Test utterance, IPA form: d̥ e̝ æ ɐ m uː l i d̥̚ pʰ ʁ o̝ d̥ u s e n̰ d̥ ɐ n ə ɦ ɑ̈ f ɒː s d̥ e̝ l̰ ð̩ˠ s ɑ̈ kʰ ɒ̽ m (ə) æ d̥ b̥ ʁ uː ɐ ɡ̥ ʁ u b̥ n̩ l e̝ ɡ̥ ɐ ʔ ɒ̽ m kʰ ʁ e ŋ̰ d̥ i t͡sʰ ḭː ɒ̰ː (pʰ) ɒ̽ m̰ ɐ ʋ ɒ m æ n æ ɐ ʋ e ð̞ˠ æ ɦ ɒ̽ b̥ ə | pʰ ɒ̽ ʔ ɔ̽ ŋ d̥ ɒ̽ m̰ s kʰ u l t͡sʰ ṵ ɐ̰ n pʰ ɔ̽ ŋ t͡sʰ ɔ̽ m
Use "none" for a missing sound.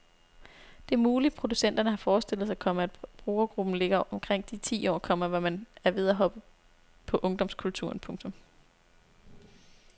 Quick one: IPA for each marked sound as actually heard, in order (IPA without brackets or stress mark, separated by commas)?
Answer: ə, kʰ